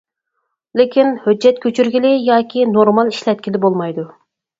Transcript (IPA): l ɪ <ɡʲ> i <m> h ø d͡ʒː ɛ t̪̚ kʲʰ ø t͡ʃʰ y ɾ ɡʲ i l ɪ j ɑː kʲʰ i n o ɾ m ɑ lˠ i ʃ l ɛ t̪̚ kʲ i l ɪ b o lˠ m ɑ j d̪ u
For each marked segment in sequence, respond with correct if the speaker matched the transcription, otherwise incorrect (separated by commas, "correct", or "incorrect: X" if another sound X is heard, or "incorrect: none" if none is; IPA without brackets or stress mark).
incorrect: kʲ, incorrect: n